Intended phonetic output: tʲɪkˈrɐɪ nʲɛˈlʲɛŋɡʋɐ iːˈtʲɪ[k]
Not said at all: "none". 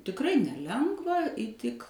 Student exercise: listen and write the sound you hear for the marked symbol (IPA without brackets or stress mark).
k